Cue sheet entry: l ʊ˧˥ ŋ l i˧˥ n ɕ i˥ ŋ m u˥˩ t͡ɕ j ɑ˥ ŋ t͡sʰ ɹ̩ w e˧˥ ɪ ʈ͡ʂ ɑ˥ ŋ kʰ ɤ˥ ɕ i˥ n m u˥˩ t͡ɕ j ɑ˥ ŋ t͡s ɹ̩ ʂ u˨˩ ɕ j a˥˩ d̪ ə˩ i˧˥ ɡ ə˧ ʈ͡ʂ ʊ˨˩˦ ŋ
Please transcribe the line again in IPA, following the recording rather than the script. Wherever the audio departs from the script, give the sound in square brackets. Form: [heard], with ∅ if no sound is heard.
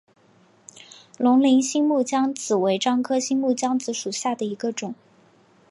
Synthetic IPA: l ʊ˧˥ ŋ l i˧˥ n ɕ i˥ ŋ m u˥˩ t͡ɕ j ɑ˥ ŋ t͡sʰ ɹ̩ w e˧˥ ɪ ʈ͡ʂ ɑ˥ ŋ kʰ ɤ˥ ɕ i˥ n m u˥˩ t͡ɕ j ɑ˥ ŋ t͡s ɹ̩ ʂ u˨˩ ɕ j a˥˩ d̪ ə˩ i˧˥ ɡ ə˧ ʈ͡ʂ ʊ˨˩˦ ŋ